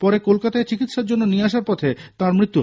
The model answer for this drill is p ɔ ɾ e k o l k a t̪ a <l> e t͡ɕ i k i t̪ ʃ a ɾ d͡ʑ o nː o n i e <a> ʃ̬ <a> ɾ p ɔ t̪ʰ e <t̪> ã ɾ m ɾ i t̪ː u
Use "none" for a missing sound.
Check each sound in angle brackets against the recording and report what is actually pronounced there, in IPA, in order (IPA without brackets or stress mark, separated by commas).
none, a, a, t̪